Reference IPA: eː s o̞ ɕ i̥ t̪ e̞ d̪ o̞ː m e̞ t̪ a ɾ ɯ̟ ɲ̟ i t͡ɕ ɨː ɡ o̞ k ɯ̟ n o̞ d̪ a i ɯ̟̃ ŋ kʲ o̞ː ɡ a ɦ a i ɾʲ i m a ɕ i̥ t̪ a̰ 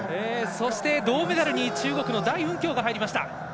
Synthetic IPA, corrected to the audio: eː s o̞ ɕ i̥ t̪ e̞ d̪ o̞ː m e̞ d̪ a ɾ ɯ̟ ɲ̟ i t͡ɕ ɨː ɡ o̞ k ɯ̟ n o̞ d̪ a i ɯ̟̃ ŋ kʲ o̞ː ɡ a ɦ a i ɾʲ i m a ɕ i̥ t̪ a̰